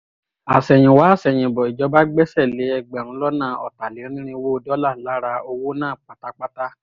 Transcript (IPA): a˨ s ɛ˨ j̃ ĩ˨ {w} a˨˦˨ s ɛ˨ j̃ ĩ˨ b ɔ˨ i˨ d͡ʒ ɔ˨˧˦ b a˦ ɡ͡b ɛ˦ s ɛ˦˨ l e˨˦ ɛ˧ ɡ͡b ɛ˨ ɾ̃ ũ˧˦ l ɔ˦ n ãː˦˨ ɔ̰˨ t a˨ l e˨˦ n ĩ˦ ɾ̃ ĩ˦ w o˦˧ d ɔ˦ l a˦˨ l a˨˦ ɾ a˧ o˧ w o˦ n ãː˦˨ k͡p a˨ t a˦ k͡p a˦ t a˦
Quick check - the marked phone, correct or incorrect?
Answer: correct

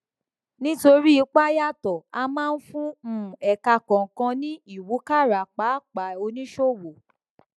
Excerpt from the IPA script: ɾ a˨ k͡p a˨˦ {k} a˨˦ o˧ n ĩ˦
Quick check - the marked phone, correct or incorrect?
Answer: incorrect: k͡p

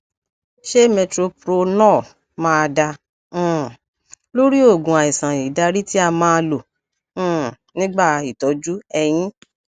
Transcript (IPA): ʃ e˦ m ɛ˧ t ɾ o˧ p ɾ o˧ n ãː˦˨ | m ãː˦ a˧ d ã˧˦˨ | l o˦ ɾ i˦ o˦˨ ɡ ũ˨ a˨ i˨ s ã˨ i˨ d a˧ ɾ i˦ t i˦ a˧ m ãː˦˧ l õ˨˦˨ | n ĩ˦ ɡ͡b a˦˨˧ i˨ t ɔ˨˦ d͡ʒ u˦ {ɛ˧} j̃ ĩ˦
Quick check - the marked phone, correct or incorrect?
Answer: correct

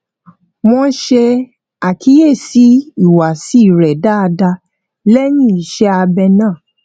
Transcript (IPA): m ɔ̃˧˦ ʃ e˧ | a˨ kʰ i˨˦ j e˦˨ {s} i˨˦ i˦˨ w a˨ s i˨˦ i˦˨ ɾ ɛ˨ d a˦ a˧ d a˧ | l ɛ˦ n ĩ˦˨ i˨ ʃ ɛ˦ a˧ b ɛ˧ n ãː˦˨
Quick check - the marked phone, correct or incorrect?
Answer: correct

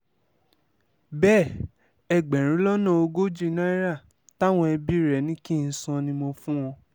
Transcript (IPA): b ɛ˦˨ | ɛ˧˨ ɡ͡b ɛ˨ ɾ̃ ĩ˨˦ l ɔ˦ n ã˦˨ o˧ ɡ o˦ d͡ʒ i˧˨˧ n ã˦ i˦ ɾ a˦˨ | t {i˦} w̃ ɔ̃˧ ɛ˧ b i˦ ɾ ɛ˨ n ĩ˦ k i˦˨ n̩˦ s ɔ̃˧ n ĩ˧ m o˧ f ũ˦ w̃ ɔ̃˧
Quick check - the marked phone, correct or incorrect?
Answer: incorrect: a˦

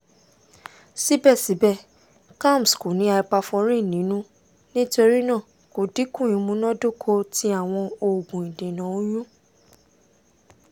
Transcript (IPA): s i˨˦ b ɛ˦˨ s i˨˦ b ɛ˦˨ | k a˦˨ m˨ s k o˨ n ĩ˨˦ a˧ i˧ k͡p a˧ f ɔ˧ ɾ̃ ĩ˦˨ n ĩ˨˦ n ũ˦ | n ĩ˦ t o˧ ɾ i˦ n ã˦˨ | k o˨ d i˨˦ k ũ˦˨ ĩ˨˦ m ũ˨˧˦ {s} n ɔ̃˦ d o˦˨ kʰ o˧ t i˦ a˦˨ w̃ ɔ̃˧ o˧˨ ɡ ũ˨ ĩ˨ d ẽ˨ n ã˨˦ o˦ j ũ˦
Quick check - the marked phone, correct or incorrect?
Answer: incorrect: none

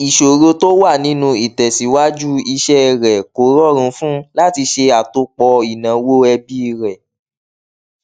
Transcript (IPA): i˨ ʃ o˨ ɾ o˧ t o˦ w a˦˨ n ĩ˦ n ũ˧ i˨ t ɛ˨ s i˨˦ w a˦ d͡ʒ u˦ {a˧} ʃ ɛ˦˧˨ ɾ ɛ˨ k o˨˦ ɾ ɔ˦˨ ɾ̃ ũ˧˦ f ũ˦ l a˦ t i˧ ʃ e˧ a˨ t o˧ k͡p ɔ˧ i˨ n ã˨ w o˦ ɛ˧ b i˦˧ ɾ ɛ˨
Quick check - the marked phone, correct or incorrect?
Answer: incorrect: i˧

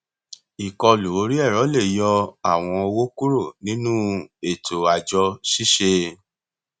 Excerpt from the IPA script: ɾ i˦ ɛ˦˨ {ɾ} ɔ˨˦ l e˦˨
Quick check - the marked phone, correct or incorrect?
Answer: correct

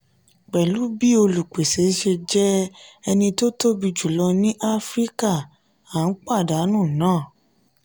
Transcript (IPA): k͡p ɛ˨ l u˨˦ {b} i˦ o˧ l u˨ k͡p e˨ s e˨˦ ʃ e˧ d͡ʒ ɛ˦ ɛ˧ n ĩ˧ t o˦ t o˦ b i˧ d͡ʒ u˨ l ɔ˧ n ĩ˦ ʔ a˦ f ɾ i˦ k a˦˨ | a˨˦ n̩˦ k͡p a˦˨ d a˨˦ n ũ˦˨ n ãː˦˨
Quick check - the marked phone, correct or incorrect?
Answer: correct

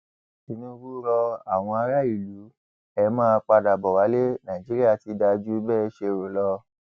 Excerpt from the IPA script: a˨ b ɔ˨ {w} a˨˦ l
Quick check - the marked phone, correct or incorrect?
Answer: correct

